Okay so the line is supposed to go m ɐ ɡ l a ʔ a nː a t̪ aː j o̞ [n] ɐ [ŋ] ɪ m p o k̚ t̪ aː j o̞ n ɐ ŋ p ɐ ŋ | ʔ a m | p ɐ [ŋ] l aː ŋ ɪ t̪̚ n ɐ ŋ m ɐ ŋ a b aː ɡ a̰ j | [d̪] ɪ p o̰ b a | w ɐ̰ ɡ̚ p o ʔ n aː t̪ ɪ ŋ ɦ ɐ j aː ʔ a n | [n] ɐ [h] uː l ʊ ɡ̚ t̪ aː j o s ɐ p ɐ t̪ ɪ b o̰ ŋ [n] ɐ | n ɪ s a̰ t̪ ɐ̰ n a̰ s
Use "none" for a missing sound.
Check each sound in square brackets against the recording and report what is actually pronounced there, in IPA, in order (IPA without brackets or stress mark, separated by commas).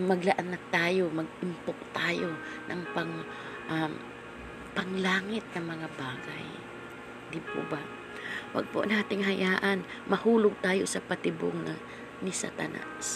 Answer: m, ɡ, ŋ, d̪, m, h, n